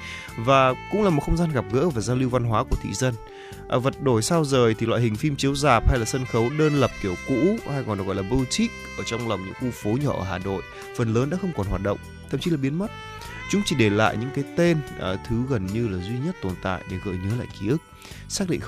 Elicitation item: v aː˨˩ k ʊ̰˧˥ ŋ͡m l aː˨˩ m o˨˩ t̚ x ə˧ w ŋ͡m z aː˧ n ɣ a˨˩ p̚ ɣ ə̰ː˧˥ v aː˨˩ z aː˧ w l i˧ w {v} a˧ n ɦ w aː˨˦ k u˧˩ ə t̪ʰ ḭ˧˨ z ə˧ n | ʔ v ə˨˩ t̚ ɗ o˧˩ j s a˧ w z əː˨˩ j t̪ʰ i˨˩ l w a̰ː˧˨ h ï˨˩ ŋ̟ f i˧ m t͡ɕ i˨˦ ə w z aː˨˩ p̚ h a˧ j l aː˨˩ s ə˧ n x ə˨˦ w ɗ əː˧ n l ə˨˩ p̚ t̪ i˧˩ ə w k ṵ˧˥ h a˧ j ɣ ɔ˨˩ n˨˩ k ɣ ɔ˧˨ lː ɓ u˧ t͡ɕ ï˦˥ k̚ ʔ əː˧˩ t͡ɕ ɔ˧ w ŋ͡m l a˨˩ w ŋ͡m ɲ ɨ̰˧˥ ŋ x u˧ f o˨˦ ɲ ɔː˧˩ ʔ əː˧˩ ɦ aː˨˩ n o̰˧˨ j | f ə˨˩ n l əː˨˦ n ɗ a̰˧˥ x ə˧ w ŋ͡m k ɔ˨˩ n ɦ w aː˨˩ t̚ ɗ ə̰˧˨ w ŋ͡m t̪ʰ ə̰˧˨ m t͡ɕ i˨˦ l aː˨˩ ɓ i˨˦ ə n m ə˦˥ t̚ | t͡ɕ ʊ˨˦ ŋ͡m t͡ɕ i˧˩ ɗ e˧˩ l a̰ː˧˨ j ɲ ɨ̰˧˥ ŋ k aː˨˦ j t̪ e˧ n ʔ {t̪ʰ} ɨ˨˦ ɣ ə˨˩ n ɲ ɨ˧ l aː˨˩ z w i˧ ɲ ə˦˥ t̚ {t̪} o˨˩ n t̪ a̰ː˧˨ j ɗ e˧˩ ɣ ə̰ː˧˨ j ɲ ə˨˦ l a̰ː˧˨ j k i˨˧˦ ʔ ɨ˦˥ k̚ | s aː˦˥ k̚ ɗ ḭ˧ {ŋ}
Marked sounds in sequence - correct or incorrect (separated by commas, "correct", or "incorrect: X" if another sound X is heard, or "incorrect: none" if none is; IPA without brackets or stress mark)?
correct, correct, correct, correct